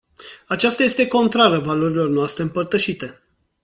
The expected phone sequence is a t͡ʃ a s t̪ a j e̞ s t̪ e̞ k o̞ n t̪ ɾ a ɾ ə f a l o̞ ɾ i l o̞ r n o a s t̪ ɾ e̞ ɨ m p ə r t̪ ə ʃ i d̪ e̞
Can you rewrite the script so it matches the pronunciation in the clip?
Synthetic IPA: a t͡ʃ a s t̪ a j e̞ s t̪ e̞ k o̞ n t̪ ɾ a ɾ ə v a l o̞ ɾ i l o̞ r n o a s t̪ ɾ e̞ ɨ m p ə r t̪ ə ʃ i t̪ e̞